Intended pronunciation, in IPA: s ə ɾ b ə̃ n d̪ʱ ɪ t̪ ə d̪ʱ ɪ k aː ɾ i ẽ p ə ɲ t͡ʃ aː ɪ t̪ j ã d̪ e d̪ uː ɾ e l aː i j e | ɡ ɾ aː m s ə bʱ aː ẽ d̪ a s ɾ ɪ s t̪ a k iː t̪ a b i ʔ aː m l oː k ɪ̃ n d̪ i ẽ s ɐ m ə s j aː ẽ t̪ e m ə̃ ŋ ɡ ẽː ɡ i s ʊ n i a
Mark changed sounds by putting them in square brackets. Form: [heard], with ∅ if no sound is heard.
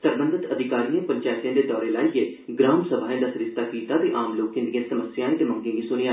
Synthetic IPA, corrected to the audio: s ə ɾ b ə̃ n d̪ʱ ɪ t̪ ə d̪ʱ ɪ k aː ɾ i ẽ p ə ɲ t͡ʃ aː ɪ t̪ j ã d̪ e d̪ [ɔː] ɾ e l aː i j e | ɡ ɾ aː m s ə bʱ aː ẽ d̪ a s ɾ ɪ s t̪ a k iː t̪ a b i ʔ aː m l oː k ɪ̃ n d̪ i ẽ s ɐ m ə s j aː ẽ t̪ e m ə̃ ŋ ɡ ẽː ɡ i s ʊ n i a